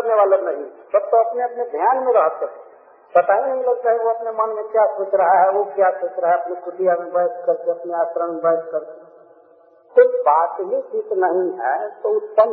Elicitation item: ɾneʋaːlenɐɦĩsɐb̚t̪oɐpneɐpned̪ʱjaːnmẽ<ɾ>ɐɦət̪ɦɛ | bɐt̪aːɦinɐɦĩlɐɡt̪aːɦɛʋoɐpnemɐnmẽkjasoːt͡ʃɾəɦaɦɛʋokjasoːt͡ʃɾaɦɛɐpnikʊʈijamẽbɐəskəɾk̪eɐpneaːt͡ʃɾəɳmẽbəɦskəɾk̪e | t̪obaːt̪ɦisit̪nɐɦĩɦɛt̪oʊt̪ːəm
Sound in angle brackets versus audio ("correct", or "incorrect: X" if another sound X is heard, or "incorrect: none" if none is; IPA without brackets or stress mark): correct